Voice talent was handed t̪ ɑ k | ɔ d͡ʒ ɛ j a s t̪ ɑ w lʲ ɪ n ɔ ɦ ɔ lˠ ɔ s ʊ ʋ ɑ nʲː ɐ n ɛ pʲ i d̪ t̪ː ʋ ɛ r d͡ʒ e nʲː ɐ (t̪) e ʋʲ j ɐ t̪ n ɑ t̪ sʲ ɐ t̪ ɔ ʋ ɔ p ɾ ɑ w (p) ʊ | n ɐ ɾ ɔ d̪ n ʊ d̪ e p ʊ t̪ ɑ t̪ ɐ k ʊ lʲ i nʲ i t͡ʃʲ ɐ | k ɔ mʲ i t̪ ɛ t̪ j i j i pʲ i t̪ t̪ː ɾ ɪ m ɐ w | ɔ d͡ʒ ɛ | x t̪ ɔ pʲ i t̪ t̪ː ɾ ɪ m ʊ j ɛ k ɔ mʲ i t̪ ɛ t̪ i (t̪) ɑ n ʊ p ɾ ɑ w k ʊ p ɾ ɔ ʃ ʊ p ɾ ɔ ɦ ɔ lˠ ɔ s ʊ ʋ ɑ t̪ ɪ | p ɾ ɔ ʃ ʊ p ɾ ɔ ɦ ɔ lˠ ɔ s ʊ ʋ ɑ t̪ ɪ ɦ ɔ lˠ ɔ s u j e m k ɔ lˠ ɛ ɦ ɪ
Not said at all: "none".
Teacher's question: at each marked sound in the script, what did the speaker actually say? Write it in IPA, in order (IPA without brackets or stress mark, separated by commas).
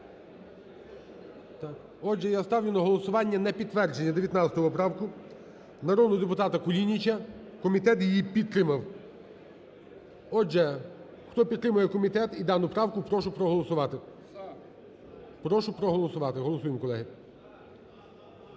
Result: d̪, k, d̪